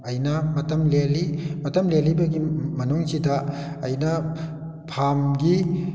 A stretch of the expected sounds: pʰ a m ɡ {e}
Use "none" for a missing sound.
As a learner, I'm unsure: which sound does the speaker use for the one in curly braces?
i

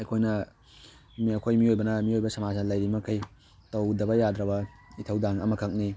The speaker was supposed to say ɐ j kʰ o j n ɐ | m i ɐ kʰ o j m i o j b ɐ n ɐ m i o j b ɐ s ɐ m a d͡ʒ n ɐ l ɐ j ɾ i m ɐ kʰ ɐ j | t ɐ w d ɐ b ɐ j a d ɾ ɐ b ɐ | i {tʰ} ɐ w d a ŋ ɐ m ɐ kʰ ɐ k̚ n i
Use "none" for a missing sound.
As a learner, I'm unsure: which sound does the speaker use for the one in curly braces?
tʰ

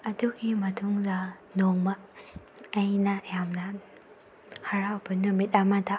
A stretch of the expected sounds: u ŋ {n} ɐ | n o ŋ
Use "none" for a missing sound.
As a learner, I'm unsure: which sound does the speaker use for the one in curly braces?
d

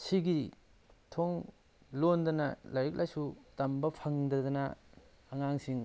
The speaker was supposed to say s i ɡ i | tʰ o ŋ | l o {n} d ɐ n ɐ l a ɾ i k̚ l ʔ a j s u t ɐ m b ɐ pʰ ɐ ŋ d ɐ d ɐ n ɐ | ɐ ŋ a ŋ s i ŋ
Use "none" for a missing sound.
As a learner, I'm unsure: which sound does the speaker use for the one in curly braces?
n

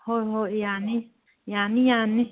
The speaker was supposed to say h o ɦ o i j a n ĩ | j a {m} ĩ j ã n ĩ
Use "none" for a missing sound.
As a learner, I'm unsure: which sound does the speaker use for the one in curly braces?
n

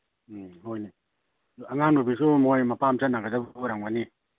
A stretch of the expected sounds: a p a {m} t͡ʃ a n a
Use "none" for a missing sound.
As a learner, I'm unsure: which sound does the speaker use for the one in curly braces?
m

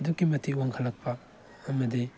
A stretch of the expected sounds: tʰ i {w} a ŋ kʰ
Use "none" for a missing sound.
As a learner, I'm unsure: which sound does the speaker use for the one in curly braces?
w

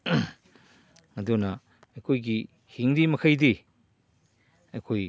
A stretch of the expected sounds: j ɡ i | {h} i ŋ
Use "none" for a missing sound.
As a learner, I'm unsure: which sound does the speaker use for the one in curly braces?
h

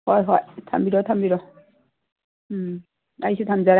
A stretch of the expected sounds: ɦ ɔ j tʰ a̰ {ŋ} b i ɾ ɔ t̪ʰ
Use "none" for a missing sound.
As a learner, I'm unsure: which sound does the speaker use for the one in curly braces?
m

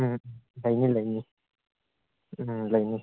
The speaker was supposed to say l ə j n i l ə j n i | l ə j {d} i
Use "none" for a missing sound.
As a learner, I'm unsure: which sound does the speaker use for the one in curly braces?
n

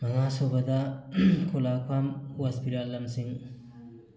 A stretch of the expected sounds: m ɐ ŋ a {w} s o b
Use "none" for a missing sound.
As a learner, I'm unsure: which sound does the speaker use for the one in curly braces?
none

